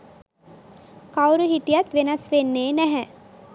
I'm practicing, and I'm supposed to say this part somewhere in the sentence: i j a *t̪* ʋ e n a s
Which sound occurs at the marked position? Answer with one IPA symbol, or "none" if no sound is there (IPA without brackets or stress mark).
t̪